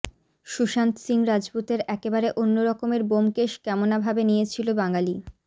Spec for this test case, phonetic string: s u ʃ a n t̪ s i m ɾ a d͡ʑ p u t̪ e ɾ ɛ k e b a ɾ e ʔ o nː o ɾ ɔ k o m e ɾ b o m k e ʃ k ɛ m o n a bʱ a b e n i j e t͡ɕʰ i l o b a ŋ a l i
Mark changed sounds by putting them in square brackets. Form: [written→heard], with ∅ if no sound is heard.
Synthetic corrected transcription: [s→ʃ] u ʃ a n t̪ s i [m→ŋ] ɾ a d͡ʑ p u t̪ e ɾ ɛ k e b a ɾ e ʔ o nː o ɾ ɔ k o m e ɾ b o m k e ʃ k ɛ m o n a bʱ a b e n i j e t͡ɕʰ i l o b a ŋ a l i